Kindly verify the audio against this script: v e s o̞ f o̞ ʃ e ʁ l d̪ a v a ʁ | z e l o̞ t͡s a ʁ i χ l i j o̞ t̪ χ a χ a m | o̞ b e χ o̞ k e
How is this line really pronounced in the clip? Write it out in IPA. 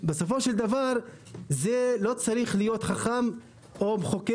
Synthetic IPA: b e s o̞ f o̞ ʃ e l d̪ a v a ʁ | z e l o̞ t͡s a ʁ i χ l i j o̞ t̪ χ a χ a m | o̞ b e χ o̞ k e